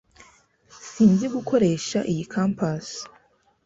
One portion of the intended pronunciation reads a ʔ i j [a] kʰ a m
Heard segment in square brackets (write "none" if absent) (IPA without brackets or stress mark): i